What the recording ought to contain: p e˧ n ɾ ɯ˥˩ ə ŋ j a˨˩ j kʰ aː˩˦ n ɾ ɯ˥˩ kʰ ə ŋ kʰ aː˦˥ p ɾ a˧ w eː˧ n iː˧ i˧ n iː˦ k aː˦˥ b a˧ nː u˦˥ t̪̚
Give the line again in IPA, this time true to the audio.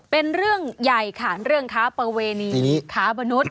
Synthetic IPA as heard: p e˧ n ɾ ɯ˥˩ ə ŋ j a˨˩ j kʰ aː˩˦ n ɾ ɯ˥˩ ə ŋ kʰ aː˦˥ p ɾ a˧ w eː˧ n iː˧ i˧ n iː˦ kʰ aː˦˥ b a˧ n u˦˥ t̪̚